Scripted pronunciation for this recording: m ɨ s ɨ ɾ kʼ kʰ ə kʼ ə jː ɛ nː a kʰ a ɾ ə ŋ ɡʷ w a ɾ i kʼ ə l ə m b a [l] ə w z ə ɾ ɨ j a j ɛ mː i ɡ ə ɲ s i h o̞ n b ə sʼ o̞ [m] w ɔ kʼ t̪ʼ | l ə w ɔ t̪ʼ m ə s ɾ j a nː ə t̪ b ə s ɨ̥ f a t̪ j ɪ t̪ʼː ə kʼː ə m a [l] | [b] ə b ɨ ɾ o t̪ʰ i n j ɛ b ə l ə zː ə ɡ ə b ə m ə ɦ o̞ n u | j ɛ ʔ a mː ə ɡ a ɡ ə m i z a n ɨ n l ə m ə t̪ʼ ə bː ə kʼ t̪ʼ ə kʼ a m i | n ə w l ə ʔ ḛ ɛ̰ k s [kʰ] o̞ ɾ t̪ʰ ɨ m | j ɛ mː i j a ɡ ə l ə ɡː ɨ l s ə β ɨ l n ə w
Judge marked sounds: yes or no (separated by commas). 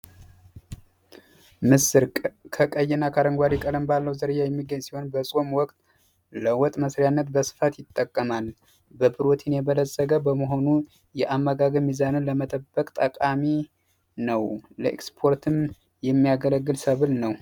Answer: no, yes, yes, yes, no